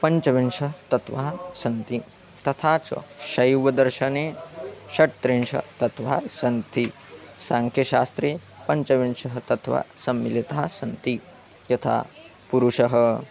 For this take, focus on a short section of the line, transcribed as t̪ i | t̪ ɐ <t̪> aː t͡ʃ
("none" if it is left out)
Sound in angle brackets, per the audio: t̪ʰ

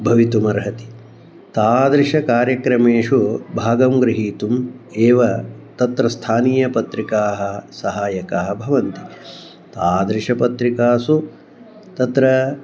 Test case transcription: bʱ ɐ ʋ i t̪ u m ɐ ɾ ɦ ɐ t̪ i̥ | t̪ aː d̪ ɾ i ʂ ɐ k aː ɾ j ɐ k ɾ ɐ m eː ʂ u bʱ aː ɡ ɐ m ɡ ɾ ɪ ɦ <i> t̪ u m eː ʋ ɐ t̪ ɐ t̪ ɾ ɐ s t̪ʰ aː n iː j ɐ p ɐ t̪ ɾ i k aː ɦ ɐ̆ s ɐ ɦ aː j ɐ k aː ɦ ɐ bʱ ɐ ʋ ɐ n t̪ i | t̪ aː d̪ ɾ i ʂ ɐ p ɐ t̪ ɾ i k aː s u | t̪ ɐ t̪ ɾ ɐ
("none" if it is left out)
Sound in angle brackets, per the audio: iː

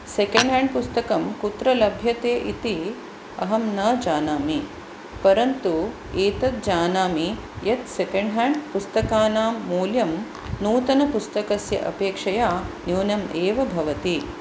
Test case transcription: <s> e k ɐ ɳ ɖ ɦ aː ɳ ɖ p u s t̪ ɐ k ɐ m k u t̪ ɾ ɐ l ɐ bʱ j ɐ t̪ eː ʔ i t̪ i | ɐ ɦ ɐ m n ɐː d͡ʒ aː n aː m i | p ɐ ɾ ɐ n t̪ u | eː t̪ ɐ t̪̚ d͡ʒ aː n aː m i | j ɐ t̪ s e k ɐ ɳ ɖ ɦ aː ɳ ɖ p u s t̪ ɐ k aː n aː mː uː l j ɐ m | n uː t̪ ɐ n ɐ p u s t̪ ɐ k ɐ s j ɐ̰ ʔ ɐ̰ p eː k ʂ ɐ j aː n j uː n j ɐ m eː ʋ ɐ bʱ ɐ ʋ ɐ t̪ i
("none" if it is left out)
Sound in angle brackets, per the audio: s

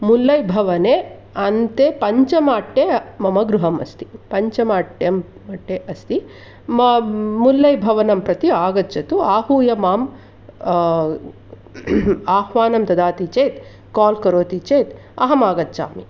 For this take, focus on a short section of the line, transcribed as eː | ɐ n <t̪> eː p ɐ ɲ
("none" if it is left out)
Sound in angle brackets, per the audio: t̪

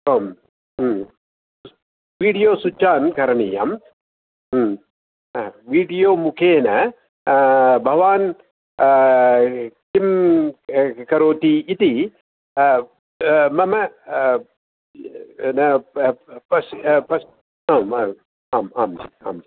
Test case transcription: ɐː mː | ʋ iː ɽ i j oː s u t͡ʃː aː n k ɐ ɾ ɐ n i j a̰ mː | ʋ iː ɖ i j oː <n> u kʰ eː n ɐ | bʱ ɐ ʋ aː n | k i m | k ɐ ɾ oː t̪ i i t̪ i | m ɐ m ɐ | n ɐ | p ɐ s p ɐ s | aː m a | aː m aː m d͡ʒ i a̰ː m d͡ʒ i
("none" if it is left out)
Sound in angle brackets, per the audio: m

